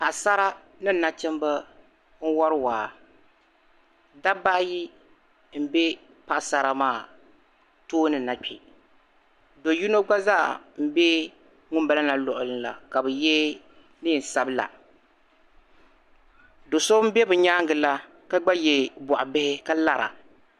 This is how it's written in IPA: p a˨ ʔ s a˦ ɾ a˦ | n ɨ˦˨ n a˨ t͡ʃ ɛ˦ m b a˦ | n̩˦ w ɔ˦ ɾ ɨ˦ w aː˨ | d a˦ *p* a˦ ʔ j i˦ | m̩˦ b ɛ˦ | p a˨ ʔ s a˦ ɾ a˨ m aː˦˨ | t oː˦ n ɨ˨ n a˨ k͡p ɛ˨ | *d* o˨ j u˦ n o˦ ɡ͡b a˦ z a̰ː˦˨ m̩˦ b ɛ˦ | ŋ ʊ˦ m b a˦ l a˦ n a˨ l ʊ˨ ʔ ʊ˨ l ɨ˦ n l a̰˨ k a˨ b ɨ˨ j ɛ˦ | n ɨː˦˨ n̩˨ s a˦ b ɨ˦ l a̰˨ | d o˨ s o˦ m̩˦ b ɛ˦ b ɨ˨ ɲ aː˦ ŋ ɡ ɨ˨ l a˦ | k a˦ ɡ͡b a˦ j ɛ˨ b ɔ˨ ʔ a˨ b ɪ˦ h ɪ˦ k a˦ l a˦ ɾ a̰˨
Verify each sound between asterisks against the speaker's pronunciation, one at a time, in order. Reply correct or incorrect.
incorrect, correct

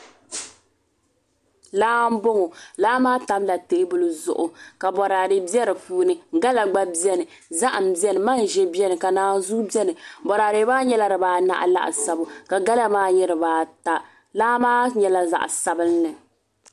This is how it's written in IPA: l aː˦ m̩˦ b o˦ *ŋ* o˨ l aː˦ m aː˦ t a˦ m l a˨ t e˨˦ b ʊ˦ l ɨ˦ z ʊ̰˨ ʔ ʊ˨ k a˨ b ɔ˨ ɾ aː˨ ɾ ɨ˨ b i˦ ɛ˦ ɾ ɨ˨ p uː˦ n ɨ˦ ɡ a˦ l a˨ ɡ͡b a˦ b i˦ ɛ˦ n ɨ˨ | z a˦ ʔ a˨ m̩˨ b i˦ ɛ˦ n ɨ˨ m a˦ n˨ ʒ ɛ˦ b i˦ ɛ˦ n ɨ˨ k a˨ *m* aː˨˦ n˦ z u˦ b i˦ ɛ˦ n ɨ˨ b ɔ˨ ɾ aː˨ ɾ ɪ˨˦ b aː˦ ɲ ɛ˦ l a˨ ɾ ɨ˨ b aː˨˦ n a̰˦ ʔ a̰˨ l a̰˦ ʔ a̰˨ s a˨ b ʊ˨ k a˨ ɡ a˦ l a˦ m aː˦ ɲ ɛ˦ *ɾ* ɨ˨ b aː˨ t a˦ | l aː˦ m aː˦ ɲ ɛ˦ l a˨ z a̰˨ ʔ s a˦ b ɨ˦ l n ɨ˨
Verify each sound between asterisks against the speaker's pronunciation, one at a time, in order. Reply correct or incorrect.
correct, incorrect, correct

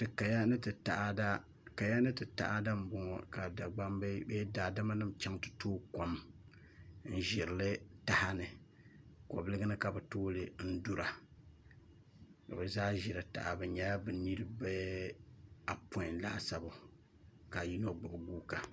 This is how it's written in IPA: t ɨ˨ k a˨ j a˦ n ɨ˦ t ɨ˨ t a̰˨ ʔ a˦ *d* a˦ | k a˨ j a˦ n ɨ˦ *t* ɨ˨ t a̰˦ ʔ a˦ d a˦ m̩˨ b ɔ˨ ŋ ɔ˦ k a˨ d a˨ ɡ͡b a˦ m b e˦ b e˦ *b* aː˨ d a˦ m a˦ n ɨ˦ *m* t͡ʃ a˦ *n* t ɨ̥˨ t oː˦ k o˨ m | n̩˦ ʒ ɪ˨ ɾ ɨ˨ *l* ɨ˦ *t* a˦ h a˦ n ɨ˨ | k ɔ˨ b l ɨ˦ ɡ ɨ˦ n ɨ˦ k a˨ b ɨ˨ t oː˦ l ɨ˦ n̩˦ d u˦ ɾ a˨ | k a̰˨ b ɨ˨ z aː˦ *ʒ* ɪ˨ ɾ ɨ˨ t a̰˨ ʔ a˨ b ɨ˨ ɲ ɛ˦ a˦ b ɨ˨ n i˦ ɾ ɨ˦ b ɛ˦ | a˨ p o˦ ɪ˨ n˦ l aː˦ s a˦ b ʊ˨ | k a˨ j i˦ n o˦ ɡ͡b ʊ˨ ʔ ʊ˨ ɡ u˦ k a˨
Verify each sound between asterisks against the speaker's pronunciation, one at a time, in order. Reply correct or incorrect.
correct, correct, incorrect, correct, incorrect, correct, correct, correct

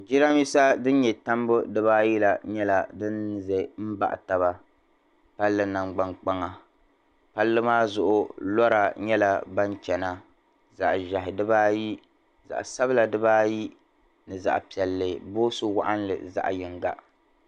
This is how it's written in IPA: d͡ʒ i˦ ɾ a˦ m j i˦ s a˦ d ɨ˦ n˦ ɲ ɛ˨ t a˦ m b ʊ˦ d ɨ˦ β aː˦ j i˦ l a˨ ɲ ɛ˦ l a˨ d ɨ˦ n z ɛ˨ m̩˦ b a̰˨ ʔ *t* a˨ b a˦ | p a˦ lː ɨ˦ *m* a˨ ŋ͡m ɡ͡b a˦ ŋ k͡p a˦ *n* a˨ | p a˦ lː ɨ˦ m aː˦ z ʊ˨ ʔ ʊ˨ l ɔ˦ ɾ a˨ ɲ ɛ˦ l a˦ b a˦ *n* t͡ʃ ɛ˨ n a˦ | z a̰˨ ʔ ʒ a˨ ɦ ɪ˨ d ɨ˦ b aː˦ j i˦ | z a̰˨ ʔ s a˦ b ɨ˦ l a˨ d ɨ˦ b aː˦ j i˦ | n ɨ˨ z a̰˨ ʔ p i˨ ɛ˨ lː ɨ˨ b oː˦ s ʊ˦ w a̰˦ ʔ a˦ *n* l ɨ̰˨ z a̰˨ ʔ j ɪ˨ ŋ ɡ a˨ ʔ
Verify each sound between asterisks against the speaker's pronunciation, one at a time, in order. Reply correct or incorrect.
correct, incorrect, incorrect, correct, correct

